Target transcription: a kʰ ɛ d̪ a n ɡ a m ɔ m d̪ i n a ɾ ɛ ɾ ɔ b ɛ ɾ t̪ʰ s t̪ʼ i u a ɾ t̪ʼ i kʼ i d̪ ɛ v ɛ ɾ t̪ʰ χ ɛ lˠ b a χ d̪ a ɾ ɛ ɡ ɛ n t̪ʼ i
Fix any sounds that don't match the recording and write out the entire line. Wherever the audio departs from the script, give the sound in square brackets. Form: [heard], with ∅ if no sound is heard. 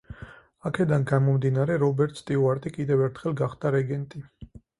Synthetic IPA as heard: a kʰ ɛ d̪ a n ɡ a m ɔ m d̪ i n a ɾ ɛ ɾ ɔ b ɛ ɾ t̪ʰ s t̪ʼ i u a ɾ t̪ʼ i kʼ i d̪ ɛ v ɛ ɾ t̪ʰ χ ɛ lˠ [ɡ] a χ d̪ a ɾ ɛ ɡ ɛ n t̪ʼ i